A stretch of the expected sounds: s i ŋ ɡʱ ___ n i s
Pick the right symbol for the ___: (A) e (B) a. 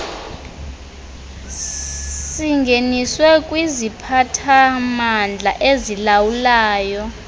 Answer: A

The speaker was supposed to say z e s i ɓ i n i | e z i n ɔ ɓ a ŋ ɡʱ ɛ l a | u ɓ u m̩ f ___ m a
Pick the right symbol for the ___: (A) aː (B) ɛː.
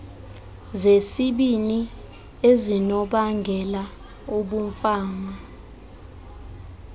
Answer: A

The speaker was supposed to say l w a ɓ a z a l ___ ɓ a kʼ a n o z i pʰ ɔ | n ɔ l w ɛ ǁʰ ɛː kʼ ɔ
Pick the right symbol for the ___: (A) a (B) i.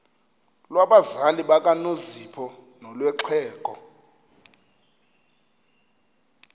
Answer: B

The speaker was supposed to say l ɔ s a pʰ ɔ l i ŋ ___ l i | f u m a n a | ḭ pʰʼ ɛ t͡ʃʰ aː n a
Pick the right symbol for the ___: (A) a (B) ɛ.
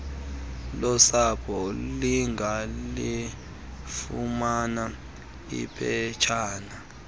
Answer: A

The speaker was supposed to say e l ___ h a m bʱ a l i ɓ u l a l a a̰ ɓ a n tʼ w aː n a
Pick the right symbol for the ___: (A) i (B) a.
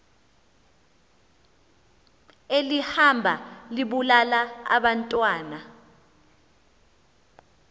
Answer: A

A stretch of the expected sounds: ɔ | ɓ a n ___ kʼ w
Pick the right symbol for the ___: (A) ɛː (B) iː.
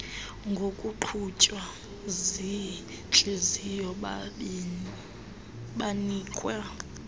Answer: B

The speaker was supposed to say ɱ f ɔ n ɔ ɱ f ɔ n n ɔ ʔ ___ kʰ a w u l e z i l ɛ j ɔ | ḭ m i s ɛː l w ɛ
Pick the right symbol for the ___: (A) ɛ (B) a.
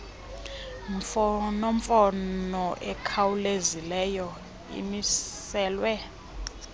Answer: A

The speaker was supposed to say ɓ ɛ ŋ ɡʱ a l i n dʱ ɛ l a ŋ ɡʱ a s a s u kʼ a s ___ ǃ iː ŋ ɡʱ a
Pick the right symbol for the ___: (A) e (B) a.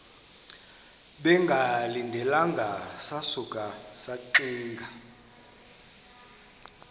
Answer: B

